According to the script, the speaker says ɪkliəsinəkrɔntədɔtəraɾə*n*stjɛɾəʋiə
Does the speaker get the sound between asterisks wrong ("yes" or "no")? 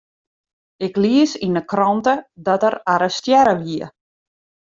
yes